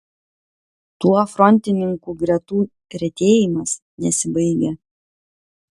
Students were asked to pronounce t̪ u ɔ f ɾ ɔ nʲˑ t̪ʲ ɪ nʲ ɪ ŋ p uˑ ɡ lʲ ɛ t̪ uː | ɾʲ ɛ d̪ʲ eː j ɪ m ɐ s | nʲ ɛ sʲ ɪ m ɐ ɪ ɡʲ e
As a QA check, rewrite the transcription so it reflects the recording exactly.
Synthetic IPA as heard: t̪ u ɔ f ɾ ɔ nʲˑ t̪ʲ ɪ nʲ ɪ ŋ k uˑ ɡ ɾʲ ɛ t̪ uː | ɾʲ ɛ t̪ʲ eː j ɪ m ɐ s | nʲ ɛ sʲ ɪ b ɐ ɪ ɡʲ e